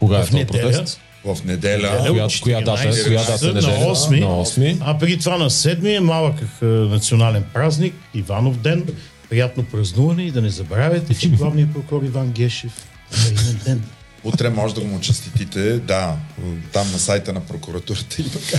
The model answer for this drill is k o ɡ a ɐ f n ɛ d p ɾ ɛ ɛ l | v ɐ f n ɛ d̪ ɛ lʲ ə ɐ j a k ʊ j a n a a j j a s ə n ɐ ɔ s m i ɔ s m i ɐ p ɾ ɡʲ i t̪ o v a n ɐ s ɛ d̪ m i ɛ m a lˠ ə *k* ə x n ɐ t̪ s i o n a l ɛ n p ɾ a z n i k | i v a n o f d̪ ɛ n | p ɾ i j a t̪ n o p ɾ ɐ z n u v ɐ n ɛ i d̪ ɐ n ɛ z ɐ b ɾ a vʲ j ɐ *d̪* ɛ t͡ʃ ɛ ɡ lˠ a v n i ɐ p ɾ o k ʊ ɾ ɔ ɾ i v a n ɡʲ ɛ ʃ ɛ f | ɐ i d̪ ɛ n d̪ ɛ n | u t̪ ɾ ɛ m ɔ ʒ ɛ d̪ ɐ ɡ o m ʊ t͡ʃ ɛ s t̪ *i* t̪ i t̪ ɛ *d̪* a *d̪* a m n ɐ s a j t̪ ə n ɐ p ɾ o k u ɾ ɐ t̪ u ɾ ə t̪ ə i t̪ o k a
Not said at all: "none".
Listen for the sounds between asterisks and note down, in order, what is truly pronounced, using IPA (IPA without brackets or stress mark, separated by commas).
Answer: k, t̪, i, d̪, t̪